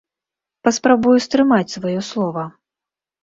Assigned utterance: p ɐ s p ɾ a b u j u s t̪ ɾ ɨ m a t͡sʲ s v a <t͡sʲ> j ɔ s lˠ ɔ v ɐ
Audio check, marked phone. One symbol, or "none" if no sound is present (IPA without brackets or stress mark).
none